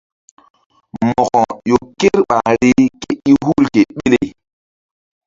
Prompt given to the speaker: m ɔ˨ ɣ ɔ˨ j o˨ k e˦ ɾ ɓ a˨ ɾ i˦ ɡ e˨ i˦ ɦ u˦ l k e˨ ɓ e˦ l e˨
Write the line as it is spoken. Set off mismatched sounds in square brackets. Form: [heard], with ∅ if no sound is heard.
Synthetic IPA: m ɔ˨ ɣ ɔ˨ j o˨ k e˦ ɾ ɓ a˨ ɾ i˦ [k] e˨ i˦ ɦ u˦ l k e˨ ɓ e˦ l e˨